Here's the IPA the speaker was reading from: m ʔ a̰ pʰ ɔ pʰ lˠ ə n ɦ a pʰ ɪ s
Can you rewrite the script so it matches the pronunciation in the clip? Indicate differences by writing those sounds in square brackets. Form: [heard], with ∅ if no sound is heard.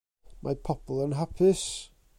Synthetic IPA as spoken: m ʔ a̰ pʰ ɔ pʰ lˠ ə n ɦ a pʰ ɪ s